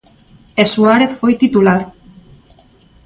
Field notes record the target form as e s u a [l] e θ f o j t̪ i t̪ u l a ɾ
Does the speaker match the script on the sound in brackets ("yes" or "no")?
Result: no